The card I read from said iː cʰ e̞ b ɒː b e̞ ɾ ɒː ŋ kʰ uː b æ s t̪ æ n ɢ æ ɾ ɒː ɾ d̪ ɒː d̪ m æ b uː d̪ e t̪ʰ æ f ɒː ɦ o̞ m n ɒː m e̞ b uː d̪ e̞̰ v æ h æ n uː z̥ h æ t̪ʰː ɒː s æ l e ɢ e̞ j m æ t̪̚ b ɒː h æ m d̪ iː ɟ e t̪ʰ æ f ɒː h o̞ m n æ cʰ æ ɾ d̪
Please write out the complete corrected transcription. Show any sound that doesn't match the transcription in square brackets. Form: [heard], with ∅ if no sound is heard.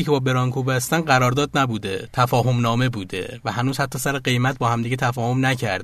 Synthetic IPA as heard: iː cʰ e̞ b ɒː b e̞ ɾ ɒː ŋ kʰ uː b æ s t̪ æ n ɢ æ ɾ ɒː ɾ d̪ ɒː d̪ [n] æ b uː d̪ e t̪ʰ æ f ɒː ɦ o̞ m n ɒː m e̞ b uː d̪ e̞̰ v æ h æ n uː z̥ h æ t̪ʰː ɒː s æ [ɾ] e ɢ e̞ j m æ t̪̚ b ɒː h æ m d̪ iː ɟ e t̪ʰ æ f ɒː h o̞ m n æ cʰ æ ɾ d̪